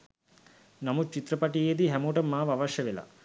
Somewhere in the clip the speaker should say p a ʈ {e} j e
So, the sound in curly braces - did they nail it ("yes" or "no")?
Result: no